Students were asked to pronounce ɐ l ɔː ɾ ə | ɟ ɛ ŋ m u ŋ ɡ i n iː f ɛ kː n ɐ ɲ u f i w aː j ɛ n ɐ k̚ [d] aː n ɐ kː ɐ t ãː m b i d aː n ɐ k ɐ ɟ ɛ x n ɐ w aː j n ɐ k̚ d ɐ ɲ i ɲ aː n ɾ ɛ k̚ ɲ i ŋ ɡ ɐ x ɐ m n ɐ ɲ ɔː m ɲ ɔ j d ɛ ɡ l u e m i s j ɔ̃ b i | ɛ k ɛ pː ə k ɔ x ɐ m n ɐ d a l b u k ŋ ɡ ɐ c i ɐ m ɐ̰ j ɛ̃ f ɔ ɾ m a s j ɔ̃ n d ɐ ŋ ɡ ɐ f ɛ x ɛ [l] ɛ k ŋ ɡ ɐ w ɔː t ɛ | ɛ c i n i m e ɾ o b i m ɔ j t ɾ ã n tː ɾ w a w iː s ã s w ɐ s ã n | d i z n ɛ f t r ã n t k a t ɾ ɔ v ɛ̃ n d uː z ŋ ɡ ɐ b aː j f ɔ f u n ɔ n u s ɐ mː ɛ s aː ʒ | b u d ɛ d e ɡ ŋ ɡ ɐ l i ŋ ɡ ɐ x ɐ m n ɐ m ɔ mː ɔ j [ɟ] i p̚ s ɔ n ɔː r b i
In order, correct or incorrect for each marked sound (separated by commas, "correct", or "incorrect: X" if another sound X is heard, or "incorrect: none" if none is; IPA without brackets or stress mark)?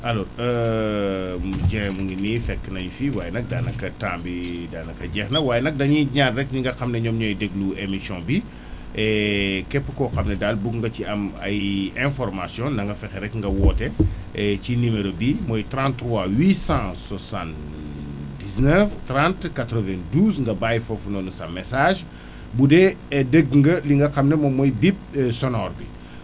correct, incorrect: ɾ, incorrect: b